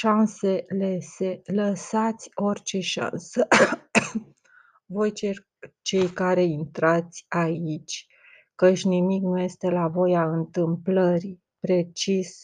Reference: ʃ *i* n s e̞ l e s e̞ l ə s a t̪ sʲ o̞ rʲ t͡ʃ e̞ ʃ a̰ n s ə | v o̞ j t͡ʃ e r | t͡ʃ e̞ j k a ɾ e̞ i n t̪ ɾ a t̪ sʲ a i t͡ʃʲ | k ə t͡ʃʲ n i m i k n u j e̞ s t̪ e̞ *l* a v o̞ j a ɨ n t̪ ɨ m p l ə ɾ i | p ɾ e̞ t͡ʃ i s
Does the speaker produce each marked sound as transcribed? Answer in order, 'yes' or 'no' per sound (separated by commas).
no, yes